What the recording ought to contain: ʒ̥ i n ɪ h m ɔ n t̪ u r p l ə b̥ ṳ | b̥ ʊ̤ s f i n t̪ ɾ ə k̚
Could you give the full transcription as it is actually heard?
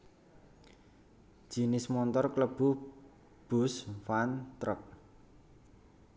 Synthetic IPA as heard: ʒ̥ i n ɪ s m ɔ n t̪ ɔ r k l ə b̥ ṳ | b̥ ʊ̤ s f a n t̪ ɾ ə k̚